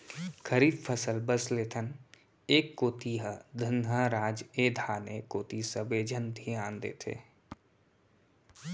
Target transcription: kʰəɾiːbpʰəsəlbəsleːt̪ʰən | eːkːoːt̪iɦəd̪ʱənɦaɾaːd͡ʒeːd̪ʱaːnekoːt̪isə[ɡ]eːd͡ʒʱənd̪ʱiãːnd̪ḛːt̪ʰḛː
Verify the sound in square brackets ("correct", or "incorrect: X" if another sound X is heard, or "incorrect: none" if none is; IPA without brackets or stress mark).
incorrect: b